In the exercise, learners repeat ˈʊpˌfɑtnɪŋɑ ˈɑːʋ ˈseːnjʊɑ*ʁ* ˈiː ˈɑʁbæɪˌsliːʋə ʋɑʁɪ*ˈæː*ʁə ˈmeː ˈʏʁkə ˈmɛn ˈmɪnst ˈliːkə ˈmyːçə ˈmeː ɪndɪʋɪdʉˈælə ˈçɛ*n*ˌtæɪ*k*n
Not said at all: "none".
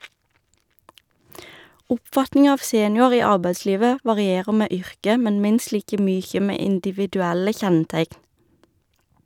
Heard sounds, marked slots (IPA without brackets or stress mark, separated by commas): ʁ, eː, n, k